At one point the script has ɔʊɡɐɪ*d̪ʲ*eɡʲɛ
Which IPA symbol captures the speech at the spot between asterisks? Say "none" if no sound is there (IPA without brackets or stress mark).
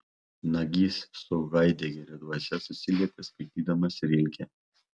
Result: d̪ʲ